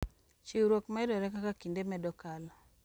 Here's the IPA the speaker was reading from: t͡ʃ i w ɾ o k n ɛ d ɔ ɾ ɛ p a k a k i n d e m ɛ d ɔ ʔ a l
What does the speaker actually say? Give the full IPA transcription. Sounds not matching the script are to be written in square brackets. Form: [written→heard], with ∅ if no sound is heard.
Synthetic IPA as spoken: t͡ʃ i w ɾ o k [n→m] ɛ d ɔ ɾ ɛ [p→k] a k a k i n d e m ɛ d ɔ [ʔ→k] a l